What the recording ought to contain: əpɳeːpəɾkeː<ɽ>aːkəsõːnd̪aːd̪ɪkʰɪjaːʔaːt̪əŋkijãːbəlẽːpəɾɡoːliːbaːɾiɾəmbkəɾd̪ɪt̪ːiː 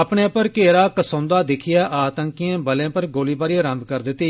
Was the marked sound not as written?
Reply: yes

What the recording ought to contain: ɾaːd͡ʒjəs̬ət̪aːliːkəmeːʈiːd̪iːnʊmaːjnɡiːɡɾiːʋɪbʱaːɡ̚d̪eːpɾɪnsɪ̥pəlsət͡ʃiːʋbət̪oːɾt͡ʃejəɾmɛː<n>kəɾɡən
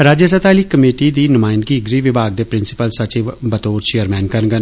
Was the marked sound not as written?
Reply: no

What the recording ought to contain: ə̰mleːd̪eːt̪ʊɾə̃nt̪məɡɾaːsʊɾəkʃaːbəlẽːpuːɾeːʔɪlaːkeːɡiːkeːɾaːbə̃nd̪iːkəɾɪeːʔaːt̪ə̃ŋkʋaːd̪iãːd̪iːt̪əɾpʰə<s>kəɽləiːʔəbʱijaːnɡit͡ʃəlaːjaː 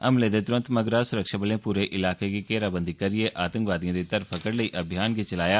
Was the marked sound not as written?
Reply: yes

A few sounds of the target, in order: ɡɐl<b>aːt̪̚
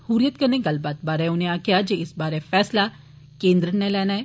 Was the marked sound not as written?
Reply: no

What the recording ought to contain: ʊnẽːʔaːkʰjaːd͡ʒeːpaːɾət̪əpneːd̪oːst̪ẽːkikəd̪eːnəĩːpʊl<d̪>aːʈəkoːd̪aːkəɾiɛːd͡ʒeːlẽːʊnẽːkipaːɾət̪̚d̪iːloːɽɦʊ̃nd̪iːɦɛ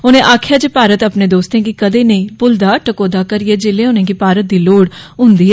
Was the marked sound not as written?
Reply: no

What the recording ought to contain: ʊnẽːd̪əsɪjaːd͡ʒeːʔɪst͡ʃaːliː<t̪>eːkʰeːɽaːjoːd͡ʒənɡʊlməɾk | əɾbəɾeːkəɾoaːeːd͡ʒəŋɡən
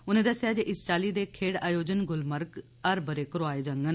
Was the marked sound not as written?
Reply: yes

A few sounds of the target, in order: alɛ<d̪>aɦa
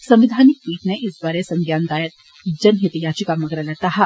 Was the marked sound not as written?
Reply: yes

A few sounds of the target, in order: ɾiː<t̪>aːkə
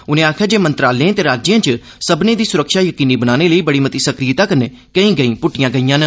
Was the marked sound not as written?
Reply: no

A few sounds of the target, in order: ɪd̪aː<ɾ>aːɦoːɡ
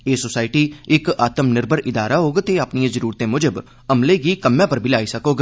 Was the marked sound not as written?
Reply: no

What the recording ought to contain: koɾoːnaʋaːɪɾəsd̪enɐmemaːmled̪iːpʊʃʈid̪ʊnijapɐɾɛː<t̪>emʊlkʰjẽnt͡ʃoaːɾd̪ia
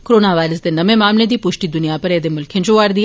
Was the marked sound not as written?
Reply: yes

